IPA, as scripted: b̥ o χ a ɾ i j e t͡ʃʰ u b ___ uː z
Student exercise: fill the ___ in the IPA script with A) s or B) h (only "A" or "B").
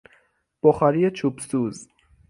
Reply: A